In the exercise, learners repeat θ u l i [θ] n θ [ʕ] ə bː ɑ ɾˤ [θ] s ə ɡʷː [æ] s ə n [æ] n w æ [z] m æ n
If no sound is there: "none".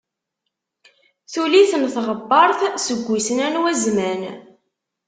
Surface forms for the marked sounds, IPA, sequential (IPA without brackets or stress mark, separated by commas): θ, ʁ, θ, i, æ, z